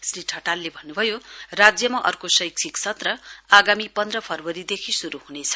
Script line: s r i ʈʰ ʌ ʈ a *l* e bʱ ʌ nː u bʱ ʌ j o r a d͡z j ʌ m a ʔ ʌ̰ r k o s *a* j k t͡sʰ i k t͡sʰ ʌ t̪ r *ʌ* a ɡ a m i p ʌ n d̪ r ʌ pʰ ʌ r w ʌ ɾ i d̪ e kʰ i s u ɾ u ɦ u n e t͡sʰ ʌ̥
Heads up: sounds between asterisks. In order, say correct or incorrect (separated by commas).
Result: incorrect, incorrect, correct